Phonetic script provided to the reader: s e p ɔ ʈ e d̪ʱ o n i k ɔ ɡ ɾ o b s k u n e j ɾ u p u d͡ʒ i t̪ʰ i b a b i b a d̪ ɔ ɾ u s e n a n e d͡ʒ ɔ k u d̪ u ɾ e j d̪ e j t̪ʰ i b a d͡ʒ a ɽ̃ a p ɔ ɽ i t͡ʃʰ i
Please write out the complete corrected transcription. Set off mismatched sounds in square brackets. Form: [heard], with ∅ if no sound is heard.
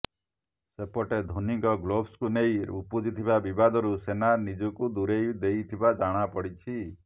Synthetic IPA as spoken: s e p ɔ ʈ e d̪ʱ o n i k ɔ ɡ [l] o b s k u n e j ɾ u p u d͡ʒ i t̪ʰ i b a b i b a d̪ ɔ ɾ u s e n a n [i] d͡ʒ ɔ k u d̪ u ɾ e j d̪ e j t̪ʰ i b a d͡ʒ a ɽ̃ a p ɔ ɽ i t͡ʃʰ i